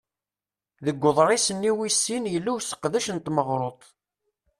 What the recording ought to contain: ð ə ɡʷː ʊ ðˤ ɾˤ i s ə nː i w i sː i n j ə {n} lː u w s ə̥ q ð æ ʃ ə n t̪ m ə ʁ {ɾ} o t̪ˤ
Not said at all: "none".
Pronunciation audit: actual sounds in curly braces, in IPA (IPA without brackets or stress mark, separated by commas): none, ɾ